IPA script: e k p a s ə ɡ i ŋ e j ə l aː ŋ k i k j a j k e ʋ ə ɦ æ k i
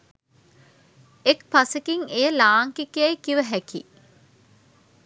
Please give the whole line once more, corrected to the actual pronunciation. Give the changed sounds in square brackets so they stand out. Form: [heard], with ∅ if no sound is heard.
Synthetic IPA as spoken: e k p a s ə [k] i ŋ e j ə l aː ŋ k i k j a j k [i] ʋ ə ɦ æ k i